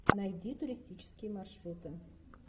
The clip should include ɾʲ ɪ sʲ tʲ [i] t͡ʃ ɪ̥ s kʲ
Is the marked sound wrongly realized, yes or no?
no